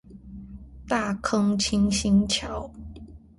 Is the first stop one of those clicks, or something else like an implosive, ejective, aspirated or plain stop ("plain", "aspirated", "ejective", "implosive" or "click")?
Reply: plain